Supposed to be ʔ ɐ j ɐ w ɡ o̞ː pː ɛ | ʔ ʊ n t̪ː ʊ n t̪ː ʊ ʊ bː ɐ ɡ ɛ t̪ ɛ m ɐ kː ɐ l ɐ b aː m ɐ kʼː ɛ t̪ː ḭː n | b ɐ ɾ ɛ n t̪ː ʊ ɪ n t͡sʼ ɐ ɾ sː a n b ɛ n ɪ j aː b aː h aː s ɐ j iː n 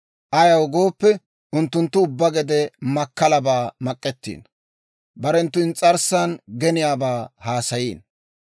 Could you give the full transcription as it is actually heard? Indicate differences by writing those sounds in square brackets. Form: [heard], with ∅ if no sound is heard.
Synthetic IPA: ʔ ɐ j ɐ w ɡ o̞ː pː ɛ | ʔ ʊ n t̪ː ʊ n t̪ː ʊ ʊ bː ɐ ɡ ɛ [d̪] ɛ m ɐ kː ɐ l ɐ b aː m ɐ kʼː ɛ t̪ː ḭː n | b ɐ ɾ ɛ n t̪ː ʊ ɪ n t͡sʼ ɐ ɾ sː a n [ɡ] ɛ n ɪ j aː b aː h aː s ɐ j iː n